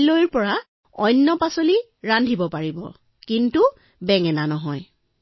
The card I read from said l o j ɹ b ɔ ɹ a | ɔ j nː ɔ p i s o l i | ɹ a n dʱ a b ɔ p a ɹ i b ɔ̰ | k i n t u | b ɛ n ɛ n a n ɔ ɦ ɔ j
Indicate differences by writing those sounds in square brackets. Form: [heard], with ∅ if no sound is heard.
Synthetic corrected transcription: l o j ɹ [p] ɔ ɹ a | ɔ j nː ɔ p [a] s o l i | ɹ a n dʱ [i] b ɔ p a ɹ i b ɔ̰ | k i n t u | b ɛ [ŋ] ɛ n a n ɔ ɦ ɔ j